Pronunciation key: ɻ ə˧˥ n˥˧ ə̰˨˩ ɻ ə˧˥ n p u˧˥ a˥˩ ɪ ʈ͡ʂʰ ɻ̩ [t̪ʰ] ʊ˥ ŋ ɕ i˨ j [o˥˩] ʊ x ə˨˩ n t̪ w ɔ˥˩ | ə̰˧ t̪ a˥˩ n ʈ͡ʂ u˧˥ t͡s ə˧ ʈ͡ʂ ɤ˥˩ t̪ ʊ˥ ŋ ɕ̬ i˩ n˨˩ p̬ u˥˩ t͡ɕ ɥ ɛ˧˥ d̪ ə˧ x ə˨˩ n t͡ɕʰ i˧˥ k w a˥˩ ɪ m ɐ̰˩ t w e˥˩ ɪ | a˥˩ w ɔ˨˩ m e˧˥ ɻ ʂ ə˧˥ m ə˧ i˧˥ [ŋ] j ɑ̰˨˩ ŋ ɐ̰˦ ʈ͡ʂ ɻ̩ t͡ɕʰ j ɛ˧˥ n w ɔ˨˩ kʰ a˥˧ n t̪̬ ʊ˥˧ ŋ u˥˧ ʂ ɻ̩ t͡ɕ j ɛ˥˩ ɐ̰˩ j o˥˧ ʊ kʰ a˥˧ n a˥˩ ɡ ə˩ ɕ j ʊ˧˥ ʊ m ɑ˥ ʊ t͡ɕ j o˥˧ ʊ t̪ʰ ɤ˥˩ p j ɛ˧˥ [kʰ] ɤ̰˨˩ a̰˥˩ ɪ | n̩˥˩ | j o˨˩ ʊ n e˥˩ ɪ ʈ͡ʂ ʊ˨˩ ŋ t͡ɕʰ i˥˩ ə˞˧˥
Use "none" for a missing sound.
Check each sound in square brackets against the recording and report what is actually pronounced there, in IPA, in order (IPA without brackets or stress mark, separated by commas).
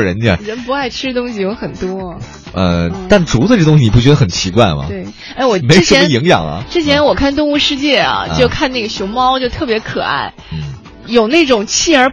t̪, o˧˥, ŋ, kʰ